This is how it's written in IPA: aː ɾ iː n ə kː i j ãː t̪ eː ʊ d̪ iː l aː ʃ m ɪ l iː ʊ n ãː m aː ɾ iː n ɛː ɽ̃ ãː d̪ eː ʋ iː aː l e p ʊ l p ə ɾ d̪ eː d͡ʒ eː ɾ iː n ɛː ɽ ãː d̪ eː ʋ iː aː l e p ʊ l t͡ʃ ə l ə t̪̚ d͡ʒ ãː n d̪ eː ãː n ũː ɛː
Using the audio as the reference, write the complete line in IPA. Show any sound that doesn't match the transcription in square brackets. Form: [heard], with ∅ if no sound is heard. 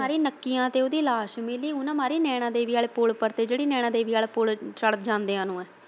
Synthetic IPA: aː ɾ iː n ə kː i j ãː t̪ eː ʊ d̪ iː l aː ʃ m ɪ l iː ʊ n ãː m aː ɾ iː n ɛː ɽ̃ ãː d̪ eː ʋ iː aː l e p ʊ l p ə ɾ [t̪] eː d͡ʒ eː [ɽ] iː n ɛː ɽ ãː d̪ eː ʋ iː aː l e p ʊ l t͡ʃ ə [ɽ] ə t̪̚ d͡ʒ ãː n d̪ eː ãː n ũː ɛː

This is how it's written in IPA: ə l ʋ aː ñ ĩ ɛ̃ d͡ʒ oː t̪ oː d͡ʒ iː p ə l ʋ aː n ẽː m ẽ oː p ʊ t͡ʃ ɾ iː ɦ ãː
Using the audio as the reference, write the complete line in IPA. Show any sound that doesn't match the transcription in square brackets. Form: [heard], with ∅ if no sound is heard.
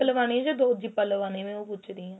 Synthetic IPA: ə l ʋ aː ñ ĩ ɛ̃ d͡ʒ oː [d̪] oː d͡ʒ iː p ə l ʋ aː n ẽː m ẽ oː p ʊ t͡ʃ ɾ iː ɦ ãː

